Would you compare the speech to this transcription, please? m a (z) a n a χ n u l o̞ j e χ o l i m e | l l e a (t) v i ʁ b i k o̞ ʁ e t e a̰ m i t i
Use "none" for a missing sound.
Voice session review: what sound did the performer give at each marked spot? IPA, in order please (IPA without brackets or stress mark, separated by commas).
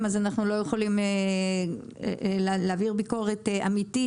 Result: z, none